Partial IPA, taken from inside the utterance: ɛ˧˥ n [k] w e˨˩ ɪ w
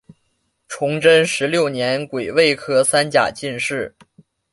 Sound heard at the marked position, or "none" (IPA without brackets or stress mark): k